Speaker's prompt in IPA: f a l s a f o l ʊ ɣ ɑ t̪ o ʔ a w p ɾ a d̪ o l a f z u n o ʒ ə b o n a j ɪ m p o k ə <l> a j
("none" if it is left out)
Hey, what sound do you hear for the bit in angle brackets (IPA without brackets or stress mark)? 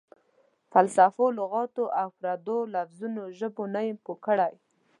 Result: ɽ